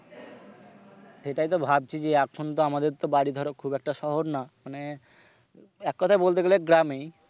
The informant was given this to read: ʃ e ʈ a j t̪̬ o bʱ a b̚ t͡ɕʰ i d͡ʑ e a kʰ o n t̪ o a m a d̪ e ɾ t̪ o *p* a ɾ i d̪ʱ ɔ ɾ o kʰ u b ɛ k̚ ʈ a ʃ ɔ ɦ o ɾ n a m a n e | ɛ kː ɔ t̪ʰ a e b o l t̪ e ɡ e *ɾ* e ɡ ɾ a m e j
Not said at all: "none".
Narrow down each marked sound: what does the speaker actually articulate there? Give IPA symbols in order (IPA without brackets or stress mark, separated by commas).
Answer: b, l